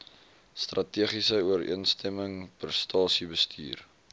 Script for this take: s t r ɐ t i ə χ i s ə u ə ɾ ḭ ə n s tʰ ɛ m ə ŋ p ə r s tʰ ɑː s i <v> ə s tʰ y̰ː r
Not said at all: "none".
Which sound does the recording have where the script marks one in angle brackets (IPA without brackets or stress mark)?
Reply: b